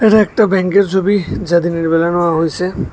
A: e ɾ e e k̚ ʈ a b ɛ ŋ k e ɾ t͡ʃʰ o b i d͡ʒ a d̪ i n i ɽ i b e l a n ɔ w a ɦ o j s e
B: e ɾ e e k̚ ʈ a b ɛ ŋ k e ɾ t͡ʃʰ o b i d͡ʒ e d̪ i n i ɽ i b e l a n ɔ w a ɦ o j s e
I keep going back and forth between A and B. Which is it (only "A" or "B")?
A